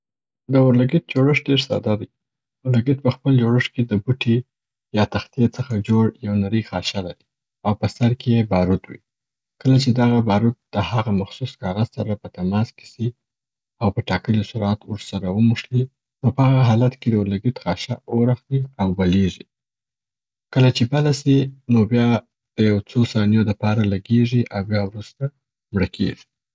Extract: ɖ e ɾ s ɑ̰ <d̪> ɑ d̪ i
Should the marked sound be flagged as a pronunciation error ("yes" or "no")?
no